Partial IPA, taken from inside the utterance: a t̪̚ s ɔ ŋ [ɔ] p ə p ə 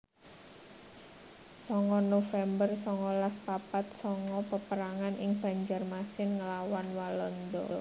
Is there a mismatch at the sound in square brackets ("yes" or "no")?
no